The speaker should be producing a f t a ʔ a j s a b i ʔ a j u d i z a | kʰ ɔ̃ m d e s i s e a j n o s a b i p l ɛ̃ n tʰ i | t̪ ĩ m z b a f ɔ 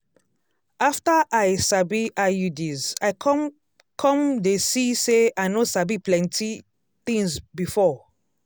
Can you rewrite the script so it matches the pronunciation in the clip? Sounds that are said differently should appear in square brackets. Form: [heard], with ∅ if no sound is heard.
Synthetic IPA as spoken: a f t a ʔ a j s a b i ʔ a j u d i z a | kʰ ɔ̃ m d e s i s e a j n o s a b i p l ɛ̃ n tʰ i | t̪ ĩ [ŋ] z b [i] f ɔ